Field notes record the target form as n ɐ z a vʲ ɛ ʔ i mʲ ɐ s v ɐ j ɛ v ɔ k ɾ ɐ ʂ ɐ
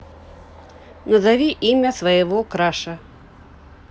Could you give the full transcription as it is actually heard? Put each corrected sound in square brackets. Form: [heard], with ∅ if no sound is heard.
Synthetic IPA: n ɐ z a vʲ [i] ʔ i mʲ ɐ s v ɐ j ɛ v ɔ k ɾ [a] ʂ ɐ